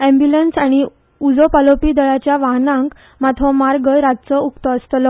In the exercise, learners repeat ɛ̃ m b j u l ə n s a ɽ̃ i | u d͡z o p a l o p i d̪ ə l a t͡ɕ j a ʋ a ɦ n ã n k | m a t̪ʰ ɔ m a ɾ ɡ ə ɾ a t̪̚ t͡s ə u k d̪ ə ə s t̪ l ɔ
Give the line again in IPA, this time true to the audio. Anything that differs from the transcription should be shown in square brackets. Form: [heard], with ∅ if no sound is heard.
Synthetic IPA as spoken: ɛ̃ m b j u l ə n s a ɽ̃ i | u d͡z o p a l o p i d̪ ə [ɭ] a t͡ɕ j a ʋ a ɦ n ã [ŋ] k | m a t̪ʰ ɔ m a ɾ ɡ ə ɾ a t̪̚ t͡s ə u k [t̪] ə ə s t̪ l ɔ